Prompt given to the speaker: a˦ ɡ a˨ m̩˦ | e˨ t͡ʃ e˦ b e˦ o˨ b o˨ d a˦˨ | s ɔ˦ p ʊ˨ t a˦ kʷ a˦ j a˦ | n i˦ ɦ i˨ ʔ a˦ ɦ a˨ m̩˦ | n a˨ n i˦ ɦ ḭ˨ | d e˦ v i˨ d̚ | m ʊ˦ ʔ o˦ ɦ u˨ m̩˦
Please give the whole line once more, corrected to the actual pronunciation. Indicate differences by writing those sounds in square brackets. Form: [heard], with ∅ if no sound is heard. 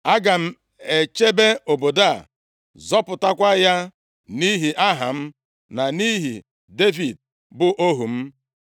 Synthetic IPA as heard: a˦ ɡ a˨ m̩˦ | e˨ t͡ʃ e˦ b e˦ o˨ b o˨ d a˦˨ | [z] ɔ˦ p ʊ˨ t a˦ kʷ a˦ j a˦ | n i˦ ɦ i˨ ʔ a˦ ɦ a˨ m̩˦ | n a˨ n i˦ ɦ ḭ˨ | d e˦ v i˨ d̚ | [b] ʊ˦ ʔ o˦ ɦ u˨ m̩˦